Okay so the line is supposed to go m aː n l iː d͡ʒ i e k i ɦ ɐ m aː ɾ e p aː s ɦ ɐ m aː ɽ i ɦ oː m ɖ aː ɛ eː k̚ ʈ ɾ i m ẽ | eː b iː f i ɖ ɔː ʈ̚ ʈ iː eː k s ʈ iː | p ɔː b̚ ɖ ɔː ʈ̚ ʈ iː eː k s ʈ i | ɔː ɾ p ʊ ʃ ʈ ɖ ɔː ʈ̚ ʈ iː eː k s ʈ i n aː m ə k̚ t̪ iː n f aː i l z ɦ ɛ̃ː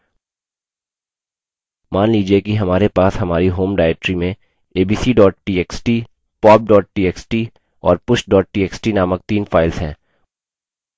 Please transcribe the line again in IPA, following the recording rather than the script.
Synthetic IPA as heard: m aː n l iː d͡ʒ i e k i ɦ ɐ m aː ɾ e p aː s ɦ ɐ m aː ɾ i ɦ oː m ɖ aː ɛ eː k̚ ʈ ɾ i m ẽ | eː b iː s i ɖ ɔː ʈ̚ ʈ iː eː k s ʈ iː | p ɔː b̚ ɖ ɔː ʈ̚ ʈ iː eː k s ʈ i | ɔː ɾ p ʊ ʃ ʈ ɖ ɔː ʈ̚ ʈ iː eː k s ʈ i n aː m ə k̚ t̪ iː n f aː ɪ l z ɦ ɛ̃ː